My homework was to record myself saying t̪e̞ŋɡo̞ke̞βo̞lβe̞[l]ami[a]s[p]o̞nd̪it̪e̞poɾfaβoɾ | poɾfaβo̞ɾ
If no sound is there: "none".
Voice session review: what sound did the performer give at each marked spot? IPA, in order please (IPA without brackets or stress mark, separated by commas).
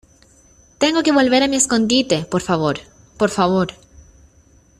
ɾ, e, k